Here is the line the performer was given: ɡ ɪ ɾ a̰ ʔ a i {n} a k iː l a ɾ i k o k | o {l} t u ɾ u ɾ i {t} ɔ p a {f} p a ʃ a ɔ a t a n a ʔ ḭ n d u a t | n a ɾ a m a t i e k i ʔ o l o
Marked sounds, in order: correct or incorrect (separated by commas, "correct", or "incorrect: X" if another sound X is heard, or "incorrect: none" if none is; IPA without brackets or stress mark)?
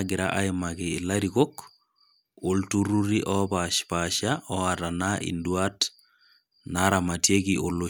incorrect: m, correct, incorrect: ʔ, incorrect: ʃ